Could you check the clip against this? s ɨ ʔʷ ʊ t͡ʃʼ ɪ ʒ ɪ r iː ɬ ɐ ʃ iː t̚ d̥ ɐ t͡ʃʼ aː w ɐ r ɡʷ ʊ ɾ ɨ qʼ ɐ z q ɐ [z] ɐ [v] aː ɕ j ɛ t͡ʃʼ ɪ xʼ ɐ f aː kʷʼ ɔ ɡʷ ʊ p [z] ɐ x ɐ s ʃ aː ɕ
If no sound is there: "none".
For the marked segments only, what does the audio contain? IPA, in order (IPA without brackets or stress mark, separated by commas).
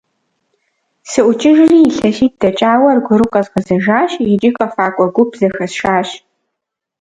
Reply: z, ʒ, z